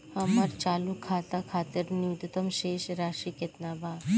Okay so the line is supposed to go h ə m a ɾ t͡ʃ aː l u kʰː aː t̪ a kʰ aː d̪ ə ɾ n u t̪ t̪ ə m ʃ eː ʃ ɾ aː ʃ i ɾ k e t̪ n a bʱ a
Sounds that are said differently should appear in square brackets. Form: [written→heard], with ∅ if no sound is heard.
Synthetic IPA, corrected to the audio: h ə m a ɾ t͡ʃ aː l u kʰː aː t̪ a kʰ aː [d̪→t̪] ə ɾ n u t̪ t̪ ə m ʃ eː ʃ ɾ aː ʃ i [ɾ→∅] k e t̪ n a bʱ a